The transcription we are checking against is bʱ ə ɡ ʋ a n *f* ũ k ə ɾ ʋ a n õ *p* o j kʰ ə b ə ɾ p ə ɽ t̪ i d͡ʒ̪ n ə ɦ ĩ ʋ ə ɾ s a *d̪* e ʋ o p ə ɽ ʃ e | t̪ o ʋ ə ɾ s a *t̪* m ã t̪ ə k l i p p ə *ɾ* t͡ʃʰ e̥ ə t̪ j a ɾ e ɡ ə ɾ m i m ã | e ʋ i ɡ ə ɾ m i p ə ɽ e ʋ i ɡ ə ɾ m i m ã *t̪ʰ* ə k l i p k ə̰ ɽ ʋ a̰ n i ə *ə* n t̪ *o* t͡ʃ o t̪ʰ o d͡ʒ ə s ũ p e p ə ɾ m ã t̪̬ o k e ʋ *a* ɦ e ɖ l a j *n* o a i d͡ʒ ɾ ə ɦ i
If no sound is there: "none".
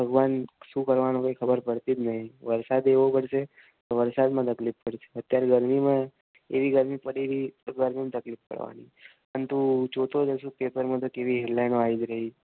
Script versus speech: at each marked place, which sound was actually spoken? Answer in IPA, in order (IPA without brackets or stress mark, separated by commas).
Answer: ʃ, k, d̪, d̪, ɽ, t̪, ə, u, i, n